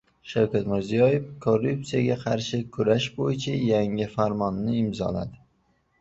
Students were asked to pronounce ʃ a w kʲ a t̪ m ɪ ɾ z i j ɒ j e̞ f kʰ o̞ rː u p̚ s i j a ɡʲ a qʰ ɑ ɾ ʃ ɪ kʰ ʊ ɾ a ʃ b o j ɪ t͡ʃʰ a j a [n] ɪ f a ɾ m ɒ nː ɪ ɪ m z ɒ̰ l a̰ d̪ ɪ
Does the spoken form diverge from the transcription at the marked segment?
yes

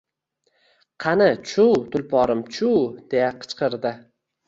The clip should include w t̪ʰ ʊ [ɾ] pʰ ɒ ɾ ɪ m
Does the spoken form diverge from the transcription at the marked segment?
yes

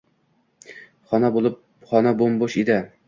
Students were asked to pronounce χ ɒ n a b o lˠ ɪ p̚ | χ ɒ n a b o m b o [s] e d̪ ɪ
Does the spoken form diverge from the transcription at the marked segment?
yes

